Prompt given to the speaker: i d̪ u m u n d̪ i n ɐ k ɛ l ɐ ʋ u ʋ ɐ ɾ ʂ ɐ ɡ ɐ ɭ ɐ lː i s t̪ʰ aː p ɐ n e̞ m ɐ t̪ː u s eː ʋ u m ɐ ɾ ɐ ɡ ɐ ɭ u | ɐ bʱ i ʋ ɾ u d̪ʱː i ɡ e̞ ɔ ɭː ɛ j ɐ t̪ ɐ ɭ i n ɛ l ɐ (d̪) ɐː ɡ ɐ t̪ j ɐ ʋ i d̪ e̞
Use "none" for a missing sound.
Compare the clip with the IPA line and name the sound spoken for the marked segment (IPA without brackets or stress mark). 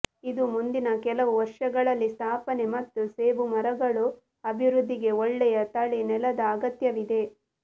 d̪